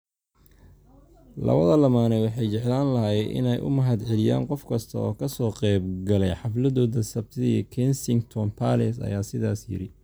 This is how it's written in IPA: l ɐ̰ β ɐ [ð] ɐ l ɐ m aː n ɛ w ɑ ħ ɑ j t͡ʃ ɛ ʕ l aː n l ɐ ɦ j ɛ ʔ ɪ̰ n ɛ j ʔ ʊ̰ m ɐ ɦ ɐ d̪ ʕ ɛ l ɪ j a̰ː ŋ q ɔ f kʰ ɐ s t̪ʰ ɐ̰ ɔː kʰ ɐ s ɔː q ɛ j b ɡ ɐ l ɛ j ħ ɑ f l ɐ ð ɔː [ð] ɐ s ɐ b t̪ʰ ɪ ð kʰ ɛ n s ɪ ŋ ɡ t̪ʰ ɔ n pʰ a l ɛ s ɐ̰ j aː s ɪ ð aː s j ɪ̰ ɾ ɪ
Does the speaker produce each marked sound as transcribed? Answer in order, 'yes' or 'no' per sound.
yes, yes

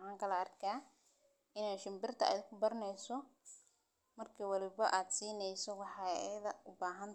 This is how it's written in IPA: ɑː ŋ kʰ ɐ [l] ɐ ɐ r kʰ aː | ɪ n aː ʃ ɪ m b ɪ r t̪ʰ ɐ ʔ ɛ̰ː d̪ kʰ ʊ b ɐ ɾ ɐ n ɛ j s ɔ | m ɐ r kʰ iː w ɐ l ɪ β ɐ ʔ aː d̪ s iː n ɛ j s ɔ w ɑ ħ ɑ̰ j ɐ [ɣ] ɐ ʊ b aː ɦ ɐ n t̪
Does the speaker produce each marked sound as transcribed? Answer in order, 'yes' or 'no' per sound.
yes, no

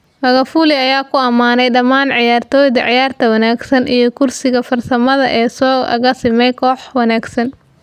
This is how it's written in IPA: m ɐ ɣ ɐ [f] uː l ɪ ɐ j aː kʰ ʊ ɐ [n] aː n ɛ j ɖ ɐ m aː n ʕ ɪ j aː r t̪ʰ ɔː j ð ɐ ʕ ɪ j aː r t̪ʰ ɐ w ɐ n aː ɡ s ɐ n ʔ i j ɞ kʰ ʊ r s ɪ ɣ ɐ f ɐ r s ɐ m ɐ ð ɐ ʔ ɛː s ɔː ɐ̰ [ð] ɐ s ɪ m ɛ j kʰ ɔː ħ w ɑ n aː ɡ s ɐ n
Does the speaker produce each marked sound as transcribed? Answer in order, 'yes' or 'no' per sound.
yes, no, no

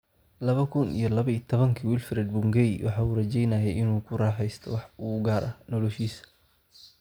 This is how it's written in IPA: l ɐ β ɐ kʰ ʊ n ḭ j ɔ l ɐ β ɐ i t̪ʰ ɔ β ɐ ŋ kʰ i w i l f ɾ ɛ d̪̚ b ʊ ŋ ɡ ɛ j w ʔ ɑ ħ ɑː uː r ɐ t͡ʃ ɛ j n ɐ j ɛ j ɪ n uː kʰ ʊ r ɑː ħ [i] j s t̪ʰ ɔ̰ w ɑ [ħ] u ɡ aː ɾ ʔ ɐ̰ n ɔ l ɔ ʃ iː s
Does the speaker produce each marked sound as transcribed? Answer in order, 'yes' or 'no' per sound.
no, yes

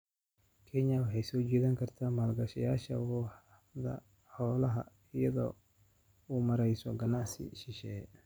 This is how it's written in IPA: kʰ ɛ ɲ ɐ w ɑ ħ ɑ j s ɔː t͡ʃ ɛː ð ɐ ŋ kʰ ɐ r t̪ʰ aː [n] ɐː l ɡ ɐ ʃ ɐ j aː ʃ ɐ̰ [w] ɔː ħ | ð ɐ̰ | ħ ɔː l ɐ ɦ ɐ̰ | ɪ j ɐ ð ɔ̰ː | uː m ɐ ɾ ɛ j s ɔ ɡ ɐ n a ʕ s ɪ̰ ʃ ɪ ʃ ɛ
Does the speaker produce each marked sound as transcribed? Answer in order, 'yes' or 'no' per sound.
no, yes

